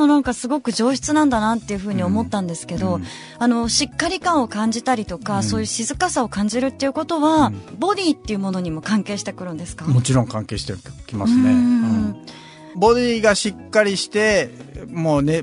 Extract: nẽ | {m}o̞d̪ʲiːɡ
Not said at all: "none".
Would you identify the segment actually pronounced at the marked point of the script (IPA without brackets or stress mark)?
b